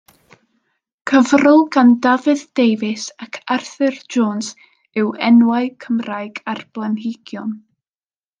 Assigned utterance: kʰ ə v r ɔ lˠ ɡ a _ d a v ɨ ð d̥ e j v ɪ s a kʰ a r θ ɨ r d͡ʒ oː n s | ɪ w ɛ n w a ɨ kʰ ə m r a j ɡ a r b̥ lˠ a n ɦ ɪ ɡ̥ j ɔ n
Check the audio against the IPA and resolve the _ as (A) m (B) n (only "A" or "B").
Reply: B